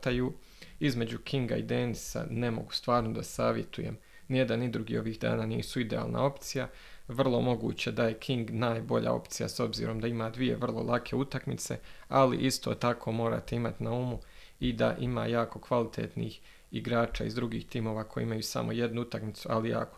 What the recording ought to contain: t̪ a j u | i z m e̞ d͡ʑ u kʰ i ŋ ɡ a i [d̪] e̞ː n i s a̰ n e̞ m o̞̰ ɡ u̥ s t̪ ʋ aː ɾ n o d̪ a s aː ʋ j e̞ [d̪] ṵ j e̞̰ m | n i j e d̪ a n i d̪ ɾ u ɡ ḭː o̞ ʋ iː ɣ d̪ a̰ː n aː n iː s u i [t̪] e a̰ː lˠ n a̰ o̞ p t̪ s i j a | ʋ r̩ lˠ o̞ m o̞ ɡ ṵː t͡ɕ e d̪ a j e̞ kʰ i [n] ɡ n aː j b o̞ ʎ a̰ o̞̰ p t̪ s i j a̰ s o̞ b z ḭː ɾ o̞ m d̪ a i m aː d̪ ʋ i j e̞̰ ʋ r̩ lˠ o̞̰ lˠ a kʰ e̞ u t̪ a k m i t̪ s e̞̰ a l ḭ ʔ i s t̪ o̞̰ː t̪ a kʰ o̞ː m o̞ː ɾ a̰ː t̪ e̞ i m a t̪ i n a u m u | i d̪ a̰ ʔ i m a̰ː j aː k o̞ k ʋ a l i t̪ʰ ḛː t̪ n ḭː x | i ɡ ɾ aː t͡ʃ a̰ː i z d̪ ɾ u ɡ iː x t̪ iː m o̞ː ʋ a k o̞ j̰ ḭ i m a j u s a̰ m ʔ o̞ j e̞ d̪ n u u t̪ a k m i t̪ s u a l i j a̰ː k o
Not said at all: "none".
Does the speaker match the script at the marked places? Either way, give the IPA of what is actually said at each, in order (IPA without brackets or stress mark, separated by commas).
d̪, t̪, d̪, ŋ